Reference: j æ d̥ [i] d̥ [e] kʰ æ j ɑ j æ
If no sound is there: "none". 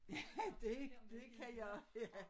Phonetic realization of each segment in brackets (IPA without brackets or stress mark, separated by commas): e, e